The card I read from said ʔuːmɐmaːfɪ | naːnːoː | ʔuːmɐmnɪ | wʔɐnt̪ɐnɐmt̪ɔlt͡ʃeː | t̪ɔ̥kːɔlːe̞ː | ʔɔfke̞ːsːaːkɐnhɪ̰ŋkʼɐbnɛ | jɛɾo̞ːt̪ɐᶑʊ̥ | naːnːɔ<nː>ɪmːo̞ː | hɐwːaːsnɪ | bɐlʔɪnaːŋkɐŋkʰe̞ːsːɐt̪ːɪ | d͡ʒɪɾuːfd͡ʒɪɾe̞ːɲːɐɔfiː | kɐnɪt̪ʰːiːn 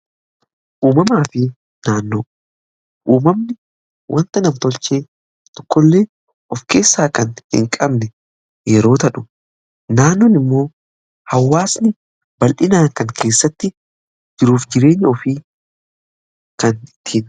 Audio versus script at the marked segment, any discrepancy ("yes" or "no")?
yes